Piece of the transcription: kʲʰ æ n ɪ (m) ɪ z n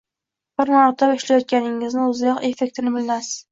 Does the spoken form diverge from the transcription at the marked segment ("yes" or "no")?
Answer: yes